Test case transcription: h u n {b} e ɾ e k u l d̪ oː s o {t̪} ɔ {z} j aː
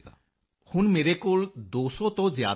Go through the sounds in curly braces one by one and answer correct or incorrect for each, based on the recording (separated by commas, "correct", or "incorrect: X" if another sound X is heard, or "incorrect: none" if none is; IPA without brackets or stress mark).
incorrect: m, correct, correct